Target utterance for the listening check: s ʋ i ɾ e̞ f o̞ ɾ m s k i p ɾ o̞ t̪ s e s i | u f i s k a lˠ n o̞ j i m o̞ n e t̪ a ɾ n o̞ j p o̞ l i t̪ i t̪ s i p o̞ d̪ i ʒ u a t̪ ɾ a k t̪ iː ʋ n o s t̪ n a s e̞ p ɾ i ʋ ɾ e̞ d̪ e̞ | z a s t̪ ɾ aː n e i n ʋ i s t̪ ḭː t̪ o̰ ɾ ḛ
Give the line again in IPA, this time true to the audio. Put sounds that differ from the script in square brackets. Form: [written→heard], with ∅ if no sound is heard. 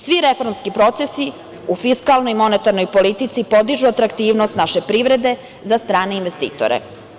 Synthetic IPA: s ʋ i ɾ e̞ f o̞ ɾ m s k i p ɾ o̞ t̪ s e s i | u f i s k a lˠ n o̞ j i m o̞ n e t̪ a ɾ n o̞ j p o̞ l i t̪ i t̪ s i p o̞ d̪ i ʒ u a t̪ ɾ a k t̪ iː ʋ n o s t̪ n a [s→ʃ] e̞ p ɾ i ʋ ɾ e̞ d̪ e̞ | z a s t̪ ɾ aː n e i n ʋ [i→e] s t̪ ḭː t̪ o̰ ɾ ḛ

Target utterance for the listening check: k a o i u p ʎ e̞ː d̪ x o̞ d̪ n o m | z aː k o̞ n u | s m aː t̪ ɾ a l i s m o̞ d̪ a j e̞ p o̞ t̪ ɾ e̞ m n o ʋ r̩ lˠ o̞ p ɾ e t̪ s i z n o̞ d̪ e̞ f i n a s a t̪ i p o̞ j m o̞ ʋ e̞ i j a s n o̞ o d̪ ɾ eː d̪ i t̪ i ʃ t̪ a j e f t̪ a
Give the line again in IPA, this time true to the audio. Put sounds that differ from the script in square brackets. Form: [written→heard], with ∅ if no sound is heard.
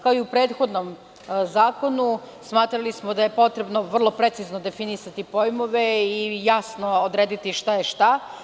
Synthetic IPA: k a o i u p [ʎ→ɾ] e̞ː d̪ x o̞ d̪ n o m | z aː k o̞ n u | s m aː t̪ ɾ a l i s m o̞ d̪ a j e̞ p o̞ t̪ ɾ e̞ [m→b] n o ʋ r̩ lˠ o̞ p ɾ e t̪ s i z n o̞ d̪ e̞ f i n [a→i] s a t̪ i p o̞ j m o̞ ʋ e̞ i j a s n o̞ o d̪ ɾ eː d̪ i t̪ i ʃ t̪ a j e [f→ʃ] t̪ a

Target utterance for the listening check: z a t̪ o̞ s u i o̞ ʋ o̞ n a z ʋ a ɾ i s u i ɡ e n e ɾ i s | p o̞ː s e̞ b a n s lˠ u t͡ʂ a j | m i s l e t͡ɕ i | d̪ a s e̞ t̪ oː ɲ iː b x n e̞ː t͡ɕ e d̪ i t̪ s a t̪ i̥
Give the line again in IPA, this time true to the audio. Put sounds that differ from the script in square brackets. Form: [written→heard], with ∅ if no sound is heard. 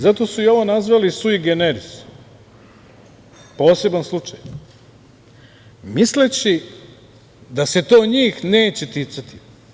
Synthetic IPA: z a t̪ o̞ s u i o̞ ʋ o̞ n a z ʋ a [ɾ→l] i s u i ɡ e n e ɾ i s | p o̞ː s e̞ b a n s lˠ u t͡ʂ a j | m i s l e t͡ɕ i | d̪ a s e̞ t̪ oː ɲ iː [b→∅] x n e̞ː t͡ɕ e [d̪→t̪] i t̪ s a t̪ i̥

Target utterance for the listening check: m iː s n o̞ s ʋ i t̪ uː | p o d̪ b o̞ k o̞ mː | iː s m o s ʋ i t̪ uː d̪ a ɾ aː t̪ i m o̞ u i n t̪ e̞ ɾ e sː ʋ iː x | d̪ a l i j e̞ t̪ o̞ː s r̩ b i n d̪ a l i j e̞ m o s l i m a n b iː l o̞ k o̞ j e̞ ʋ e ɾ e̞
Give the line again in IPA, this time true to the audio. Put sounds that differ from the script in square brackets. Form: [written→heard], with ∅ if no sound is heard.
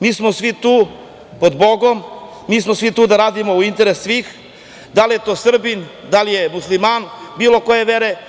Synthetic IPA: m iː s [n→m] o̞ s ʋ i t̪ uː | p o d̪ b o̞ [k→ɡ] o̞ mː | iː s m o s ʋ i t̪ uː d̪ a ɾ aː [t̪→d̪] i m o̞ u i n t̪ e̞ ɾ e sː ʋ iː x | d̪ a l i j e̞ t̪ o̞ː s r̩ b i n d̪ a l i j e̞ m [o→u] s l i m a n b iː l o̞ k o̞ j e̞ ʋ e ɾ e̞

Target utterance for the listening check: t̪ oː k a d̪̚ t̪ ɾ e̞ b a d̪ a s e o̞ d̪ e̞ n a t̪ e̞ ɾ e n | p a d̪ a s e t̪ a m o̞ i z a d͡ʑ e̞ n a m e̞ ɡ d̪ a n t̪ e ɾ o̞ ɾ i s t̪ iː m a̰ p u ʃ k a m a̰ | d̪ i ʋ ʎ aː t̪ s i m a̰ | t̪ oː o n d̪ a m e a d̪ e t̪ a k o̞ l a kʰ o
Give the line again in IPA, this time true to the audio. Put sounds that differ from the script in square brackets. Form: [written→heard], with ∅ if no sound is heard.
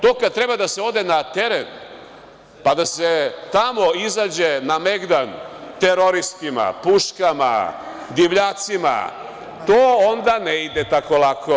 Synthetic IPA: t̪ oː k a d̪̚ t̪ ɾ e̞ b a d̪ a s e o̞ d̪ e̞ n a t̪ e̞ ɾ e n | p a d̪ a s e t̪ a m o̞ i z a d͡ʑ e̞ n a m e̞ ɡ d̪ a n t̪ e ɾ o̞ ɾ i s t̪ [iː→i] m a̰ p u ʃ k a m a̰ | d̪ i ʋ ʎ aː t̪ s i m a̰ | t̪ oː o n d̪ a [m→n] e [a→i] d̪ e t̪ a k o̞ l a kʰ o

